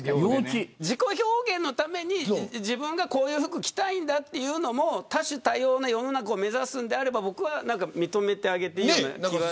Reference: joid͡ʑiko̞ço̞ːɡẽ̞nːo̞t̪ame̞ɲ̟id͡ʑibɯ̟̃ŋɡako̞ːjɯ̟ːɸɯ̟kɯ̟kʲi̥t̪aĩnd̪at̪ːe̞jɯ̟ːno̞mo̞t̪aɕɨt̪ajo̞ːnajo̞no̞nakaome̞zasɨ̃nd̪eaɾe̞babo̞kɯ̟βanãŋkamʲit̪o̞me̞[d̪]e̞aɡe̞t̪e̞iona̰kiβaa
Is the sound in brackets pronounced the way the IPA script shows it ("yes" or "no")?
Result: no